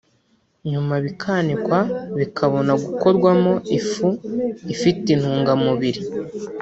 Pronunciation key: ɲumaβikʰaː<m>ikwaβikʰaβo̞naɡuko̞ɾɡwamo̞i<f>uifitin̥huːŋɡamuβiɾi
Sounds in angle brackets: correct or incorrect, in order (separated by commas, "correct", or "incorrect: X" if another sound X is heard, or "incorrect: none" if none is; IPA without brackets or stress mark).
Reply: incorrect: n, correct